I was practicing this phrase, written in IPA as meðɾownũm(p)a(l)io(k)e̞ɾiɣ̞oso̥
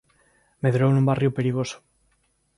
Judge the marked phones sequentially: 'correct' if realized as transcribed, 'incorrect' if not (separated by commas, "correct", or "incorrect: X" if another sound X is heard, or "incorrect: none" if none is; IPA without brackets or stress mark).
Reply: incorrect: b, incorrect: r, incorrect: p